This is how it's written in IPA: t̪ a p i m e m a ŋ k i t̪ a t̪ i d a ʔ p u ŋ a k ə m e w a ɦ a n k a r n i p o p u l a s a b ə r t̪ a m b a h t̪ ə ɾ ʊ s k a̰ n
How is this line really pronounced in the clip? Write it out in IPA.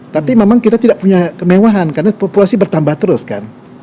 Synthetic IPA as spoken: t̪ a p i m e m a ŋ k i t̪ a t̪ i d a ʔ p u ɲ a k ə m e w a ɦ a n k a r n a p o p u l a s i b ə r t̪ a m b a h t̪ ə ɾ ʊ s k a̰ n